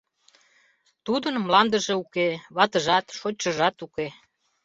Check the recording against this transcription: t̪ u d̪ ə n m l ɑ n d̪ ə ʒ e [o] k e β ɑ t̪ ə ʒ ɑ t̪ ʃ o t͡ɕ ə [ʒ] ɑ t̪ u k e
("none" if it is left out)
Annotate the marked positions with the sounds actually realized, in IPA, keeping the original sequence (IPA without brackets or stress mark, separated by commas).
u, ʒ